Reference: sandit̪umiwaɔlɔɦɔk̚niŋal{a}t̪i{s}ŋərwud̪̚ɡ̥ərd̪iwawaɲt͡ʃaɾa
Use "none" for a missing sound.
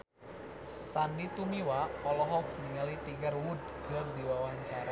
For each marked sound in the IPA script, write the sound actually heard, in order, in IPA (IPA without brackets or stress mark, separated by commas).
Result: i, none